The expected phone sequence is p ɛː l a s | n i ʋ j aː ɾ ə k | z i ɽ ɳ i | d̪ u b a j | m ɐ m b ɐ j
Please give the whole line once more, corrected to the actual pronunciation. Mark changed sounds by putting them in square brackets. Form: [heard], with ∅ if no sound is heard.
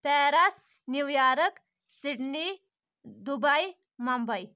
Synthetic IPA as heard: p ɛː [ɾ] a s | n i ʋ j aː ɾ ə k | [s] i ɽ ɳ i | d̪ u b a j | m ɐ m b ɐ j